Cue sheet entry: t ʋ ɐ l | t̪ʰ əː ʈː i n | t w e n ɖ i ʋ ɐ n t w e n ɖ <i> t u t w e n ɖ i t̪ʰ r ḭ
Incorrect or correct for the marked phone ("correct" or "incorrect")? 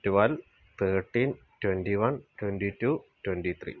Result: correct